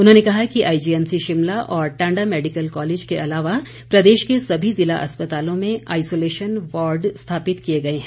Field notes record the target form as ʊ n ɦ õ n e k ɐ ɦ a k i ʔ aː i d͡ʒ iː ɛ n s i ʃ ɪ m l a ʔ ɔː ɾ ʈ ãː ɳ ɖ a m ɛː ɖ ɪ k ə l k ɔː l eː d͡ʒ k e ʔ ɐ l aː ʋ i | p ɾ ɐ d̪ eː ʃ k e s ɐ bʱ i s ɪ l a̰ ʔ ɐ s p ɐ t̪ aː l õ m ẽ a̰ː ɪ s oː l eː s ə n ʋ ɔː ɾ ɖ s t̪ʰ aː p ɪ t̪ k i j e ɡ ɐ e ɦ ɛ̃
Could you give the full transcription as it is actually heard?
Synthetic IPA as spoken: ʊ n ɦ õ n e k ɐ ɦ a k i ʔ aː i d͡ʒ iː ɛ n s i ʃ ɪ m l a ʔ ɔː ɾ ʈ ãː ɳ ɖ a m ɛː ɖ ɪ k ə l k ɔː l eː d͡ʒ k e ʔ ɐ l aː ʋ a | p ɾ ɐ d̪ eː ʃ k e s ɐ bʱ i z ɪ l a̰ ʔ ɐ s p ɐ t̪ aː l õ m ẽ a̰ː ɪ s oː l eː ʃ ə n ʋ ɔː ɾ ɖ s t̪ʰ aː p ɪ t̪ k i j e ɡ ɐ e ɦ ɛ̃